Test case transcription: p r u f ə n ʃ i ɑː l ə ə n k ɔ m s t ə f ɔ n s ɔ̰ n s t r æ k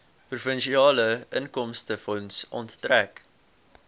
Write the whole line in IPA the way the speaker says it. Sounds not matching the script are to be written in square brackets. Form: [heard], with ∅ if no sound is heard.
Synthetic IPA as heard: p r u f ə n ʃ i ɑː l ə ə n k ɔ m s t ə f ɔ n s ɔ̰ n [t] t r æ k